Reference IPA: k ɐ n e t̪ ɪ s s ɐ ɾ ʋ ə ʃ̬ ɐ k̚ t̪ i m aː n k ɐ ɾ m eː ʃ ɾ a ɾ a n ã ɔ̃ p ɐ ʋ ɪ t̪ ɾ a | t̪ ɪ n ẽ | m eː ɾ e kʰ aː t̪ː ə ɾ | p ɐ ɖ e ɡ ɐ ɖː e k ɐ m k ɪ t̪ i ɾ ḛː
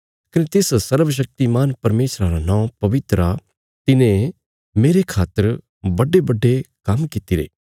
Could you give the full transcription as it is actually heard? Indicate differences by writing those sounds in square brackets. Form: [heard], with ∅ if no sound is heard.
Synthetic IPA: k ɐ n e t̪ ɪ s s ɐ ɾ ʋ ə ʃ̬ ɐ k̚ t̪ i m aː n [p] ɐ ɾ m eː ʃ ɾ a ɾ a n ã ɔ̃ p ɐ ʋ ɪ t̪ ɾ a | t̪ ɪ n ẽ | m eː ɾ e kʰ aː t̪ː ə ɾ | [b] ɐ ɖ e [b] ɐ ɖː e k ɐ m k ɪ t̪ i ɾ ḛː